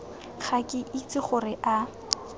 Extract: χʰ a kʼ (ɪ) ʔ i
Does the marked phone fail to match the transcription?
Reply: no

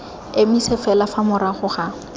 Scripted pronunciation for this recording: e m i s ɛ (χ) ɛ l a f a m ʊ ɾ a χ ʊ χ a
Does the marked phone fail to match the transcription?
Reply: yes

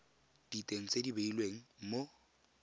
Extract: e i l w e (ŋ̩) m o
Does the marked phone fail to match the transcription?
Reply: no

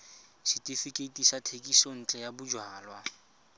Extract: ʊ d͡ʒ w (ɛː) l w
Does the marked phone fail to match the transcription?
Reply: yes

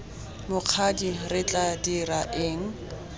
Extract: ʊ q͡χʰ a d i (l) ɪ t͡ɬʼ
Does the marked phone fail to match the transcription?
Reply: yes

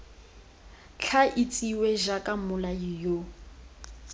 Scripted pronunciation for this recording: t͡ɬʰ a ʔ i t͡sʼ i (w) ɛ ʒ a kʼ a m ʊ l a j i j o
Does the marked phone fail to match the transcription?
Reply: no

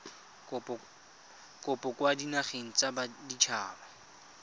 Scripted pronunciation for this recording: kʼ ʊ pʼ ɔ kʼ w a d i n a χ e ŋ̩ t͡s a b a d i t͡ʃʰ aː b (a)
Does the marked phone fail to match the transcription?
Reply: no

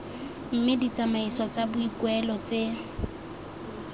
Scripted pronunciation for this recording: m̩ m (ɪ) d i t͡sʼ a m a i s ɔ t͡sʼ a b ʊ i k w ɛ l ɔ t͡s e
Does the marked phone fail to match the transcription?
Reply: no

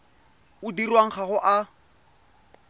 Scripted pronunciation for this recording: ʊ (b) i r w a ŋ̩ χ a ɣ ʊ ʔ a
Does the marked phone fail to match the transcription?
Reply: yes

